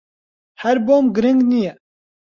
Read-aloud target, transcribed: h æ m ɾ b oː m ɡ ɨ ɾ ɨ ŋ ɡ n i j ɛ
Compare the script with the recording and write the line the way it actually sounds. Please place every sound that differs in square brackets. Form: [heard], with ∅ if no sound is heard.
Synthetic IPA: h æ [∅] ɾ b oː m ɡ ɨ ɾ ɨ ŋ ɡ n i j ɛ